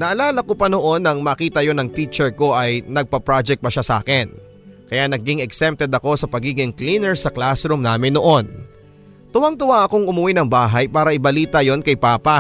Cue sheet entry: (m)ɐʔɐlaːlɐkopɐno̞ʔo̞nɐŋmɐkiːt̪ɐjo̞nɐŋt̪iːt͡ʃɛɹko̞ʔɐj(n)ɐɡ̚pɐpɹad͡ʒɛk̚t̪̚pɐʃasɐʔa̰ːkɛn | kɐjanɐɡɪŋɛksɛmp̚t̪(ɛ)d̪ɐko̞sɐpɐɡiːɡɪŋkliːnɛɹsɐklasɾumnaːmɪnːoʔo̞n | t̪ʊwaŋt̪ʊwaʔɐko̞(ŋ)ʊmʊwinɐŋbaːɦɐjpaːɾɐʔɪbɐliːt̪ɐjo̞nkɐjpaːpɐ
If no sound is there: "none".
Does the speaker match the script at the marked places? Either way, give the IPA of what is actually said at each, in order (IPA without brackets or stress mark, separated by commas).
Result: n, n, ɛ, ŋ